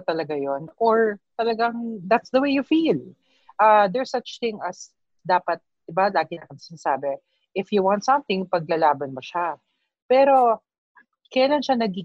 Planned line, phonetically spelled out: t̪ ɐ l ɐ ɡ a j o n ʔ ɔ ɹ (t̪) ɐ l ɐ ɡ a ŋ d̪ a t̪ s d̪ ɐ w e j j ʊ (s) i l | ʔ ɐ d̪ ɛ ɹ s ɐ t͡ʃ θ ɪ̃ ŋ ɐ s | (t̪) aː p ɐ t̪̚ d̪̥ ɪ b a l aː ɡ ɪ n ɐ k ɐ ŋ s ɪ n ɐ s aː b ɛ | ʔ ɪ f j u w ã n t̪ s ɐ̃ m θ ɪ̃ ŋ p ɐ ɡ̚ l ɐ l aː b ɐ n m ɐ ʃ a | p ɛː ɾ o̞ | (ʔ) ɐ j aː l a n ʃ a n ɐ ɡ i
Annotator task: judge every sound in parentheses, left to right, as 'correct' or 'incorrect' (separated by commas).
correct, incorrect, incorrect, incorrect